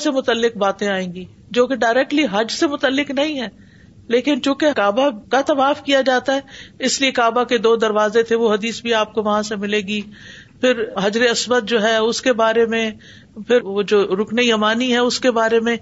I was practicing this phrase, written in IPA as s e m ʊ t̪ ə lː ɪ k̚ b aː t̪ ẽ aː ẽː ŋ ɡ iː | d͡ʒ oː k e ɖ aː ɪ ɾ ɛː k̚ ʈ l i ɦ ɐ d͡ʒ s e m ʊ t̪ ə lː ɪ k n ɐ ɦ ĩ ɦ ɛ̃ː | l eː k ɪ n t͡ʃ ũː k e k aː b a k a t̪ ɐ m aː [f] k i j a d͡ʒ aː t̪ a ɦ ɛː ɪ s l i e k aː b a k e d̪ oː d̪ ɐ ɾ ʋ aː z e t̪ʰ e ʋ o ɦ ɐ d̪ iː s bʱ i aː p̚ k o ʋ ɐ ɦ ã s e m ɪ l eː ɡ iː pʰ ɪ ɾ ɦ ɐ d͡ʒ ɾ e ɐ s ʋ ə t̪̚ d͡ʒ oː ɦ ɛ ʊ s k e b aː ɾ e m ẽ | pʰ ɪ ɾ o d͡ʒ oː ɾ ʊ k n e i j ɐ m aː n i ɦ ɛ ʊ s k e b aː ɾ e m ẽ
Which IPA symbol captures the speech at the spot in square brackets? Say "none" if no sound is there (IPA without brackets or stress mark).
f